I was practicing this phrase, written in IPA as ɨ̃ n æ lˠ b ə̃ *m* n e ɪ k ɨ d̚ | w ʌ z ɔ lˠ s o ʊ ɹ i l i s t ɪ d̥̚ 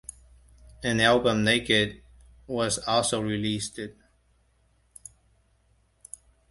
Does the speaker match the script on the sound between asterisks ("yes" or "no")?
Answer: yes